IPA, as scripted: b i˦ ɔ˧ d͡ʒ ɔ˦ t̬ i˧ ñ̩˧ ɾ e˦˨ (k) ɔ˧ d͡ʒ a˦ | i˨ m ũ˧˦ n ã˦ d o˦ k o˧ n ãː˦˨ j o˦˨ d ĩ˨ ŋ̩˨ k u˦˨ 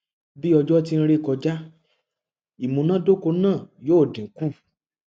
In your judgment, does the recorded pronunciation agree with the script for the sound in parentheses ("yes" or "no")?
yes